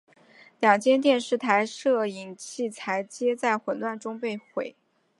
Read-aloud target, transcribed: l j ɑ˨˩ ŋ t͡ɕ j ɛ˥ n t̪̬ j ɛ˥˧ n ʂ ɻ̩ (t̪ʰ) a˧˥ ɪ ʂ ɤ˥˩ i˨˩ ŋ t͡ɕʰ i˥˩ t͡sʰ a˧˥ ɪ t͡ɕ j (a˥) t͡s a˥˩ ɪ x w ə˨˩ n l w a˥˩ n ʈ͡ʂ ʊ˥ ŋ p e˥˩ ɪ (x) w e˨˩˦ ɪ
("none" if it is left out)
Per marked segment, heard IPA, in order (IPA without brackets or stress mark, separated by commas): t̪ʰ, ɛ˥, x